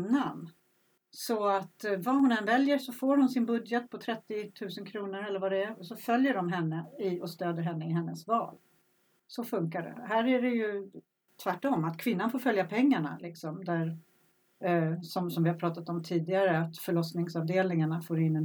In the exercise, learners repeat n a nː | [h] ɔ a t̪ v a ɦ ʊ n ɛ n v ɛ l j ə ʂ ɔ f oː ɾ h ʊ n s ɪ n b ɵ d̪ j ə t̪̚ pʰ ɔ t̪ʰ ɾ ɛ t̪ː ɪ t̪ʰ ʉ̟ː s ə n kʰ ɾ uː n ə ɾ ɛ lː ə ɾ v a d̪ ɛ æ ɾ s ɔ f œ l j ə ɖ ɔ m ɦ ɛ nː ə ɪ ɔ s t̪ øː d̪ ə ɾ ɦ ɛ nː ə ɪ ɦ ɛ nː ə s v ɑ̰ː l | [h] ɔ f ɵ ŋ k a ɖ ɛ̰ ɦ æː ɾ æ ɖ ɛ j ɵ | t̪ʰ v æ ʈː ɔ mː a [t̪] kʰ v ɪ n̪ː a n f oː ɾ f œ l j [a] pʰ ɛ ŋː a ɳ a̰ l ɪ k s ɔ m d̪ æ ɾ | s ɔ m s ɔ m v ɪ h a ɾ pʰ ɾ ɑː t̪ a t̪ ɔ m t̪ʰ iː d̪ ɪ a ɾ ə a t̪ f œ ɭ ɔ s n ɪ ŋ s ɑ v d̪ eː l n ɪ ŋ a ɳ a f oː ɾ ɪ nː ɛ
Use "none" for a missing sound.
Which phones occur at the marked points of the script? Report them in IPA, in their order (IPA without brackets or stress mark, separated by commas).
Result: s, s, t̪, a